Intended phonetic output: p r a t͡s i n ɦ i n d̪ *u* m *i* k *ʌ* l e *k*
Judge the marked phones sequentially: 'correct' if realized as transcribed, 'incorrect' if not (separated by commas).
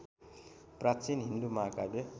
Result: correct, incorrect, incorrect, incorrect